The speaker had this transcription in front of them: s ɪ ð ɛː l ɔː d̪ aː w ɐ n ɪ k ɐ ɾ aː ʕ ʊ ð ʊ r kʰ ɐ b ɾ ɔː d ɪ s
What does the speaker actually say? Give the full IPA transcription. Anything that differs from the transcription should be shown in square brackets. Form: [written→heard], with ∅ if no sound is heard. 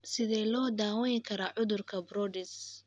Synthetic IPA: s ɪ ð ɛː l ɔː d̪ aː w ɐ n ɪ [k→kʰ] ɐ ɾ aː ʕ ʊ ð ʊ r kʰ ɐ b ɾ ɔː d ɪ s

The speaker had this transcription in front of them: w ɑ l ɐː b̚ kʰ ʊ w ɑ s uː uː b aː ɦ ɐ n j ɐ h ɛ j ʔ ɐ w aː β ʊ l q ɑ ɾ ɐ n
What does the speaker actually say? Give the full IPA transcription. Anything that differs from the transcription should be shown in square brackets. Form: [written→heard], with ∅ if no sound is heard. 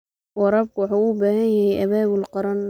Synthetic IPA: w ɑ [l→ɾ] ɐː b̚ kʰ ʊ w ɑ [s→ħ] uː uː b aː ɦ ɐ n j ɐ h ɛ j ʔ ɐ [w→β] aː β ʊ l q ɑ ɾ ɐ n

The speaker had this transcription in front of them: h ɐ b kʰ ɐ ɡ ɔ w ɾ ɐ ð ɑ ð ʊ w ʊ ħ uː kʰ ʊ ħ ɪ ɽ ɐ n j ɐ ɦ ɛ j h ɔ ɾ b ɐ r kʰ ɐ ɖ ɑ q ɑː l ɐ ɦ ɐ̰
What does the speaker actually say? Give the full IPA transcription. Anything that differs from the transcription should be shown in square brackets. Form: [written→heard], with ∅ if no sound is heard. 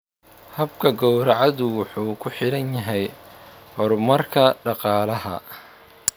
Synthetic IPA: h ɐ b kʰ ɐ ɡ ɔ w ɾ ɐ [ð→ʕ] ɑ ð ʊ w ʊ ħ uː kʰ ʊ ħ ɪ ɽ ɐ n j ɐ ɦ ɛ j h ɔ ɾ [b→m] ɐ r kʰ ɐ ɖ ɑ q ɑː l ɐ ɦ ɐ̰

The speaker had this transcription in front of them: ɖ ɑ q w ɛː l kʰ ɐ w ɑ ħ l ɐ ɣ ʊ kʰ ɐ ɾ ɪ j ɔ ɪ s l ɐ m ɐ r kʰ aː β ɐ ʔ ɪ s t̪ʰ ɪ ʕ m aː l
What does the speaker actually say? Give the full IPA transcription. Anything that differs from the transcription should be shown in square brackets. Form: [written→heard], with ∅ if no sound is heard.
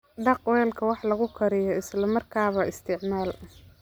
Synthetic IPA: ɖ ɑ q w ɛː l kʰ ɐ w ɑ ħ l ɐ ɣ ʊ kʰ ɐ ɾ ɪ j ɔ ɪ s l ɐ m ɐ r kʰ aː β ɐ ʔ ɪ s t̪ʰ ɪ ʕ m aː l

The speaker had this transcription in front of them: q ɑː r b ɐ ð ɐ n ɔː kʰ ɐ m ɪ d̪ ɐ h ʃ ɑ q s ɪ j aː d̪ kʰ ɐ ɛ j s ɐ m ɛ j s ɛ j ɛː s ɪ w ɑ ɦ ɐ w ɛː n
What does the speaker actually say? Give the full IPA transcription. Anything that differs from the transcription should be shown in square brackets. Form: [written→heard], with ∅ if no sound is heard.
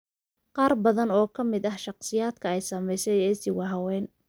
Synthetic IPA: q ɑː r b ɐ ð ɐ n ɔː kʰ ɐ m ɪ d̪ ɐ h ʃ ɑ q s ɪ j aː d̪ kʰ ɐ ɛ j s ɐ m ɛ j s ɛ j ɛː s ɪ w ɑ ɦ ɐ w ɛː n

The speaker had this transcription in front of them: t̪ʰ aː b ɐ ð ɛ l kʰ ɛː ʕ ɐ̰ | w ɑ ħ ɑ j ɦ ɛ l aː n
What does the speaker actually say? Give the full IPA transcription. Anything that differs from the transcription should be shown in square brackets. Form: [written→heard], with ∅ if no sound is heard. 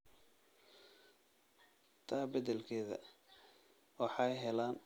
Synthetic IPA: t̪ʰ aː b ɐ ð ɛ l kʰ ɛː [ʕ→ð] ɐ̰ | w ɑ ħ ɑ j ɦ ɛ l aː n

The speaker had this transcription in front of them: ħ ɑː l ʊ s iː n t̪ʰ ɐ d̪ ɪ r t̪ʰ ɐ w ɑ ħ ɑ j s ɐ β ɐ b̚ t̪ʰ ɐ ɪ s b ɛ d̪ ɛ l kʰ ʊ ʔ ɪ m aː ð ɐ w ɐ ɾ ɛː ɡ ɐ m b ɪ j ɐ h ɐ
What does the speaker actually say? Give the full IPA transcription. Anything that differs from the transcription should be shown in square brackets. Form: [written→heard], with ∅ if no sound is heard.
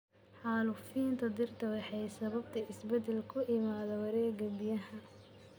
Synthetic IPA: ħ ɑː l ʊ [s→f] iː n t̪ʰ ɐ d̪ ɪ r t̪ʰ ɐ w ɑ ħ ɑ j s ɐ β ɐ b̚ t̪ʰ ɐ ɪ s b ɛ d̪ ɛ l kʰ ʊ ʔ ɪ m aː ð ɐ w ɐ ɾ ɛː ɡ ɐ [m→∅] b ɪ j ɐ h ɐ

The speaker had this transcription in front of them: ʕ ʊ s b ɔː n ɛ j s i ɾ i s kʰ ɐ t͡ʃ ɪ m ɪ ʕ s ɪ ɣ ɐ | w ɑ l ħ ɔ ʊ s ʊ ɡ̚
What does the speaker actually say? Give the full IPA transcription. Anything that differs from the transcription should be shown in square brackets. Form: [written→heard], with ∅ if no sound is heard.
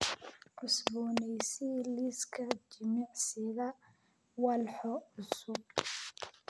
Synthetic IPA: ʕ ʊ s b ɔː n ɛ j s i [ɾ→l] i s kʰ ɐ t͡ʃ ɪ m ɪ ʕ s ɪ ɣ ɐ | w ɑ l ħ ɔ ʊ s ʊ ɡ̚

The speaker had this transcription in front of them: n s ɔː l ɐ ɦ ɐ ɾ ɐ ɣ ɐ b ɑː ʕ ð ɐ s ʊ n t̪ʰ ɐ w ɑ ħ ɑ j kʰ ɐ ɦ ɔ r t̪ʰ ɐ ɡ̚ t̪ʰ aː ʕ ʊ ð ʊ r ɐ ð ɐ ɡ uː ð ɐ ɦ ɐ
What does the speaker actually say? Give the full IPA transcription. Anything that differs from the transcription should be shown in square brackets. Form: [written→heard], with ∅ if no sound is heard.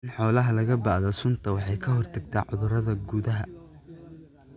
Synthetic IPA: n [s→ħ] ɔː l ɐ ɦ ɐ [ɾ→l] ɐ ɣ ɐ b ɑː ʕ ð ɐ s ʊ n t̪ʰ ɐ w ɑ ħ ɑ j kʰ ɐ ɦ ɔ r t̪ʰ ɐ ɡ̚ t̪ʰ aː ʕ ʊ ð ʊ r ɐ ð ɐ ɡ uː ð ɐ ɦ ɐ

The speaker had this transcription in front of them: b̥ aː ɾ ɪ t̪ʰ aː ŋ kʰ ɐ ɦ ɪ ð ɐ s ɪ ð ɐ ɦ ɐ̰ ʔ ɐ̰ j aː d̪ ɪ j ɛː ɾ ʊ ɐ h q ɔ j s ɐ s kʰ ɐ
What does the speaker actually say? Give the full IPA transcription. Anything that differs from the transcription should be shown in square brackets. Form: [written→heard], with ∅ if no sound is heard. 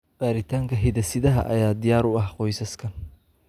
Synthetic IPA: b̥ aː ɾ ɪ t̪ʰ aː ŋ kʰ ɐ ɦ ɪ ð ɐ s ɪ ð ɐ ɦ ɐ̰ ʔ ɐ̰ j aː d̪ ɪ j [ɛː→aː] ɾ ʊ ɐ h q ɔ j s ɐ s kʰ ɐ

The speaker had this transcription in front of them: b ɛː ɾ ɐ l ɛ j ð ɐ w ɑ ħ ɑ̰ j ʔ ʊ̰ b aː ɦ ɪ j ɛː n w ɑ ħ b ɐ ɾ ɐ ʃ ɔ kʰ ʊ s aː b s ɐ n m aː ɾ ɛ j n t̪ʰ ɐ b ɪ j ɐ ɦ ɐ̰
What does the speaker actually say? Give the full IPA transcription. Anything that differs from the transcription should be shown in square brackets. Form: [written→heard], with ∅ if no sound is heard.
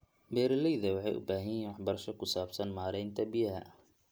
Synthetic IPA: b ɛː ɾ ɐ l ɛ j ð ɐ w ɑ ħ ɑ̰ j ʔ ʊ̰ b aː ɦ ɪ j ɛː n w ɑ ħ b ɐ ɾ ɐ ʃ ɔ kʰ ʊ s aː b s ɐ n m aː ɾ ɛ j n t̪ʰ ɐ b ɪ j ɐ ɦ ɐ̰

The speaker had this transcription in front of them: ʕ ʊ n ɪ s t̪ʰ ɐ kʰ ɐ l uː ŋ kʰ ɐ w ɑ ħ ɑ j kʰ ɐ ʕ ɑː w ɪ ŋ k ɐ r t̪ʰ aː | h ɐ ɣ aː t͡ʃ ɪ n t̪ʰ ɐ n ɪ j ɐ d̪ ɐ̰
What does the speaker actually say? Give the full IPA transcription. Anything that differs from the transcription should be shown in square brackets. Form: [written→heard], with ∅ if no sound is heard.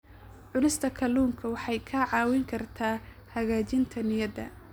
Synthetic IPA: ʕ ʊ n ɪ s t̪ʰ ɐ kʰ ɐ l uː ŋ kʰ ɐ w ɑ ħ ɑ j kʰ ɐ ʕ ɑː w ɪ ŋ [k→kʰ] ɐ r t̪ʰ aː | h ɐ ɣ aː t͡ʃ ɪ n t̪ʰ ɐ n ɪ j ɐ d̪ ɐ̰

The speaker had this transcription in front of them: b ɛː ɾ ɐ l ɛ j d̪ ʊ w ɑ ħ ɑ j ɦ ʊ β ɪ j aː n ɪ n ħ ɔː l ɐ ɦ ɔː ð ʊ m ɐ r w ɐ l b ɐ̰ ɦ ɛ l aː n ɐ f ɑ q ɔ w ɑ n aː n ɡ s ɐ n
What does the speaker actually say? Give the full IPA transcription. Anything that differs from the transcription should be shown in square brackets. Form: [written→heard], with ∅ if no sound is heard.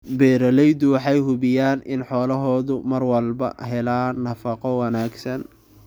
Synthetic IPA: b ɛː ɾ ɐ l ɛ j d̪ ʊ w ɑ ħ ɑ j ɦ ʊ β ɪ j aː n ɪ n ħ ɔː l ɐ ɦ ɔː ð ʊ m ɐ r w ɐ l b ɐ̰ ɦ ɛ l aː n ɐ f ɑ q ɔ w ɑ n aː [n→∅] ɡ s ɐ n

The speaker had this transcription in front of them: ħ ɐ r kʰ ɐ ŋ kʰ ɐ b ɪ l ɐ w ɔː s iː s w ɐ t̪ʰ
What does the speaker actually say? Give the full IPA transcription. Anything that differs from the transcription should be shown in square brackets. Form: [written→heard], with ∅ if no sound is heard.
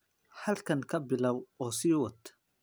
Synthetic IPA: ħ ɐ [r→l] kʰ ɐ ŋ kʰ ɐ b ɪ l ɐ w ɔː s iː [s→∅] w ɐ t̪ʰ

